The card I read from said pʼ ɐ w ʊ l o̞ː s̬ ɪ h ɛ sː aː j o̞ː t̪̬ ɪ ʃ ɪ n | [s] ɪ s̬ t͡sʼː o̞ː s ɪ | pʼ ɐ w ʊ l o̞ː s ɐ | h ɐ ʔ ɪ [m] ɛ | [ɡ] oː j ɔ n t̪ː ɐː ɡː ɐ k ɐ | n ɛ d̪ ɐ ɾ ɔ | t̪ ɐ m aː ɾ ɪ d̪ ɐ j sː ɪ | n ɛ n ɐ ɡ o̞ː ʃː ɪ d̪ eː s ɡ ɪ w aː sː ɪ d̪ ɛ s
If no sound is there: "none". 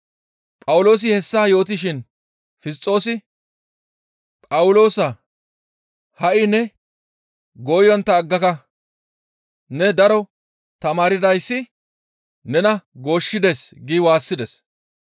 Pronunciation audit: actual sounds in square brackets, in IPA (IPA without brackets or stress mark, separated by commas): f, n, ɡ